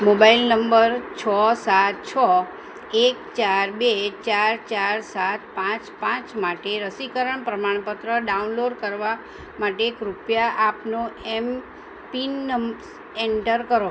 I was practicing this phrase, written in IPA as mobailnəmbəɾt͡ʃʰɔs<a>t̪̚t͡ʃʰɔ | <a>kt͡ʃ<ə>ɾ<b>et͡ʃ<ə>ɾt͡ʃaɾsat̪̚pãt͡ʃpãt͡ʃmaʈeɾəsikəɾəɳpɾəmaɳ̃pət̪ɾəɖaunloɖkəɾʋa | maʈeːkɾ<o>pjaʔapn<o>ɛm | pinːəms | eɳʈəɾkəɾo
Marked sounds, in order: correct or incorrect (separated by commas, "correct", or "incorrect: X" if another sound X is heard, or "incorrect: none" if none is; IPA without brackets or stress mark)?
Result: correct, incorrect: e, incorrect: a, correct, incorrect: a, incorrect: u, correct